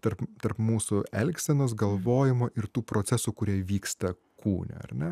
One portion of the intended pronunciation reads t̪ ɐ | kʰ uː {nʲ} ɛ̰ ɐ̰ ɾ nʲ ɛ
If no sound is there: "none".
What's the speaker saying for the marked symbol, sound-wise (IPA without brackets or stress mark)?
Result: nʲ